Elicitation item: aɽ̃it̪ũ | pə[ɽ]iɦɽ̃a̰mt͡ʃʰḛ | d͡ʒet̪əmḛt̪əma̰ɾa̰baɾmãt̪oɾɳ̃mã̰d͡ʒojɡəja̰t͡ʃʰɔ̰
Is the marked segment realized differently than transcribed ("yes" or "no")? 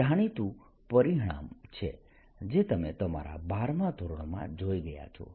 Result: yes